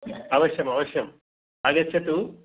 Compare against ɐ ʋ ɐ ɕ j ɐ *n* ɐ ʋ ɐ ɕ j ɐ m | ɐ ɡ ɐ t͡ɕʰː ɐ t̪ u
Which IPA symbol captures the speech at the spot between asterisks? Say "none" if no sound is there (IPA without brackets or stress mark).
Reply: m